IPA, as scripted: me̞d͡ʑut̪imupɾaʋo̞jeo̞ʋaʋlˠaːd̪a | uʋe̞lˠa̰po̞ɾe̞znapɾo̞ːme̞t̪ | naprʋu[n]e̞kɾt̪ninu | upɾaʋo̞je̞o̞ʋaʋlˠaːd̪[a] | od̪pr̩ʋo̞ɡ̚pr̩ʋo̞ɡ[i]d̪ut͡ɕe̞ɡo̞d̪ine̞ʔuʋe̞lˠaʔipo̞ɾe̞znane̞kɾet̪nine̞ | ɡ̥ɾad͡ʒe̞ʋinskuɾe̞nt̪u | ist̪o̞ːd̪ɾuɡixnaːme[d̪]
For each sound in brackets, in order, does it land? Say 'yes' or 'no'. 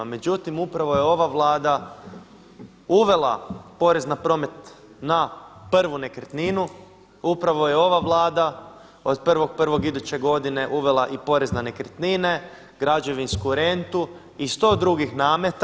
yes, yes, yes, no

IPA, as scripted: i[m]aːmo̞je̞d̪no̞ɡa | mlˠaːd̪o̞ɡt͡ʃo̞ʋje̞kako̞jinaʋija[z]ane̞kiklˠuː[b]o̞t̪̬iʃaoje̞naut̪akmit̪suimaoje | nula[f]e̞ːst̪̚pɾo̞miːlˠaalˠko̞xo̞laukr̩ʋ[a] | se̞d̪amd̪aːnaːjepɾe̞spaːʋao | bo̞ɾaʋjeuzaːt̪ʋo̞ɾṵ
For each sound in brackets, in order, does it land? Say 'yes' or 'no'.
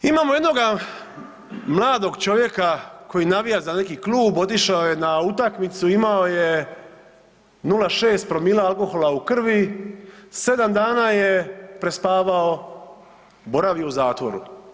yes, yes, yes, no, no

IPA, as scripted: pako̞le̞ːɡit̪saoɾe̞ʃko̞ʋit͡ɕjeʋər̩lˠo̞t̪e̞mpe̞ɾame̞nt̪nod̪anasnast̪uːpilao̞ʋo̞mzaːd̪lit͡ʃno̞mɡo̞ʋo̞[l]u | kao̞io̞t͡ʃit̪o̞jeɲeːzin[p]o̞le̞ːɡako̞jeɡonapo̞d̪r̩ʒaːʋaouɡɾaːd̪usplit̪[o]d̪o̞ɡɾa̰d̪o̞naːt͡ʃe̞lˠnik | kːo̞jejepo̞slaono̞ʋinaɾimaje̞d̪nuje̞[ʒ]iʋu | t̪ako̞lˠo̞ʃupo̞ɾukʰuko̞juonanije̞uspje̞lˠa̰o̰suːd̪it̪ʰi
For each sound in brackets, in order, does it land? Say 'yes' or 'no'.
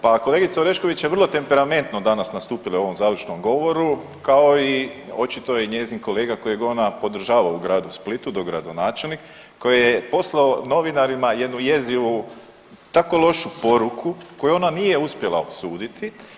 no, no, no, no

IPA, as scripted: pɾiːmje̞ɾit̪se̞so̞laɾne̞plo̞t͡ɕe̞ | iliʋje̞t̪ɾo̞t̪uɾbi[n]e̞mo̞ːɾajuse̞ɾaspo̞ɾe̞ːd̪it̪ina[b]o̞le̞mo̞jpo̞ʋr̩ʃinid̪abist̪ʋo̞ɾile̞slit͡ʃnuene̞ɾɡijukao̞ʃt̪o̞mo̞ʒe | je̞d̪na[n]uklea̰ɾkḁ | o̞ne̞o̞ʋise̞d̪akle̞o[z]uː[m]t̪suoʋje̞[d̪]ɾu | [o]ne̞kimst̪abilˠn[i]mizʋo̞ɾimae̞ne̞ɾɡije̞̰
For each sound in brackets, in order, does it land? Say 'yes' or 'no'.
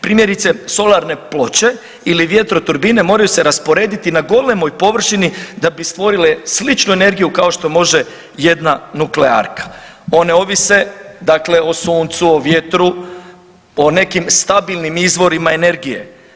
yes, no, yes, no, no, no, yes, yes

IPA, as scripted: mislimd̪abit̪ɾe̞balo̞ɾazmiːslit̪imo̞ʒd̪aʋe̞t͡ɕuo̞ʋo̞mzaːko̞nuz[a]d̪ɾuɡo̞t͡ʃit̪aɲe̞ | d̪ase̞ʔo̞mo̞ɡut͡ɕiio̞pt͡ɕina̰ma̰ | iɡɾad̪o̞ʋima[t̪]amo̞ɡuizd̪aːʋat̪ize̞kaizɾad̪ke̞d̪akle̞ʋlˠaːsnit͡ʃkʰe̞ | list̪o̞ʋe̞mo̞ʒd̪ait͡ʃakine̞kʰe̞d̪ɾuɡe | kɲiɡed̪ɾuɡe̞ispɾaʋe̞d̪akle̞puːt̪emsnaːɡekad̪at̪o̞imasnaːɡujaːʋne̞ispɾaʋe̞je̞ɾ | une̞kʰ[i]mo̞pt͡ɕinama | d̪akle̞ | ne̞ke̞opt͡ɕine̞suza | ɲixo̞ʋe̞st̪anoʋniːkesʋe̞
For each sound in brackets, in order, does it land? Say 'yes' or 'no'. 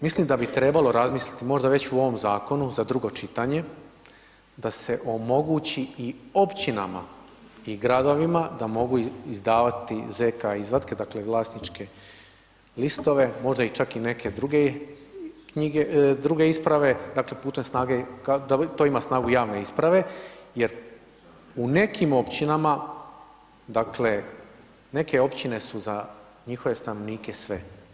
yes, no, yes

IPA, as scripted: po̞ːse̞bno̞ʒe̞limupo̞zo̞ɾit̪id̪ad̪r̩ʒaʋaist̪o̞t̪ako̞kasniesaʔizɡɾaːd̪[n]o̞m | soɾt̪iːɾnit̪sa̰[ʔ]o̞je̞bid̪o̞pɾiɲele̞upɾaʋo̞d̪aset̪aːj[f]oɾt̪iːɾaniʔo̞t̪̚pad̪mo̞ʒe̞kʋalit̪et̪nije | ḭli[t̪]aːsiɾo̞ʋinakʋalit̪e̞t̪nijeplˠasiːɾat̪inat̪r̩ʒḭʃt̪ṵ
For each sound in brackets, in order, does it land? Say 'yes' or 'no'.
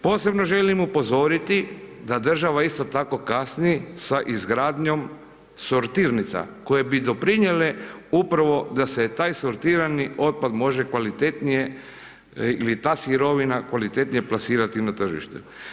no, no, no, yes

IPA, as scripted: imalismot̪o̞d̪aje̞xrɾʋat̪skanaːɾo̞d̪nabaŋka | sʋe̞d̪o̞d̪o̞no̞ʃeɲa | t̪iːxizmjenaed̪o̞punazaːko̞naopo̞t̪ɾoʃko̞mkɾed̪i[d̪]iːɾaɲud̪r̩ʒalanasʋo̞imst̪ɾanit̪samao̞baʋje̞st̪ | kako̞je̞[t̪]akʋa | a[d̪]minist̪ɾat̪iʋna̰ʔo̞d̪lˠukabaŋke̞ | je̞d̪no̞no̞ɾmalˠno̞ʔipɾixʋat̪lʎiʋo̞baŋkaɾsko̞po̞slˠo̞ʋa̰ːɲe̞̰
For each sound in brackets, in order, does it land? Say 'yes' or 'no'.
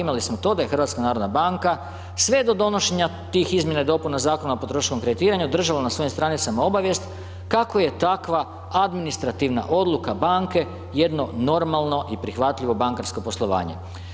no, yes, yes

